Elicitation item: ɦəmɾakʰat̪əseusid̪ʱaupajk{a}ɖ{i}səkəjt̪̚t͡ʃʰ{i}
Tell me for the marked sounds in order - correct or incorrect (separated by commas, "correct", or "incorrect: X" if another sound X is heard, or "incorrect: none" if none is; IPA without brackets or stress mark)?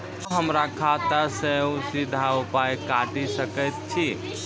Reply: correct, correct, correct